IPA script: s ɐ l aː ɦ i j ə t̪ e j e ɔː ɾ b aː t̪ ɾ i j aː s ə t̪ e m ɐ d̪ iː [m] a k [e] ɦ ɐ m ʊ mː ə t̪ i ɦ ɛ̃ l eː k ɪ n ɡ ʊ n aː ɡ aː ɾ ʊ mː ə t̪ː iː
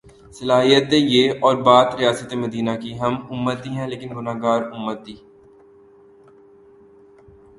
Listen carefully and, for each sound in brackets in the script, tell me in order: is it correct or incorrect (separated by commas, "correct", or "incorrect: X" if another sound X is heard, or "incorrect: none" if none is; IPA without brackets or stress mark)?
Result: incorrect: n, incorrect: i